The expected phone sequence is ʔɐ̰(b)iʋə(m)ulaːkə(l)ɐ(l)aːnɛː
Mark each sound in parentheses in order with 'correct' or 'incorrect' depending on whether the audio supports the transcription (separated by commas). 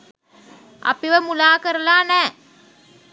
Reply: incorrect, correct, incorrect, correct